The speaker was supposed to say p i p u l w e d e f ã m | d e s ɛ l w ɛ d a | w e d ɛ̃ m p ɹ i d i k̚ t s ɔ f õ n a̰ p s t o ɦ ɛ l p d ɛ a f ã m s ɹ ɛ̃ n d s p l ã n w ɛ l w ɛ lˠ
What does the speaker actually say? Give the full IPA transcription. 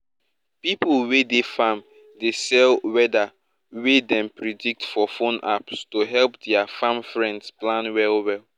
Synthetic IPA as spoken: p i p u l w e d e f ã m | d e s ɛ l w ɛ d a | w e d ɛ̃ m p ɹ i d i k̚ t f ɔ f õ n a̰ p s t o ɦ ɛ l p d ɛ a f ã m f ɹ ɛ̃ n d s p l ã n w ɛ l w ɛ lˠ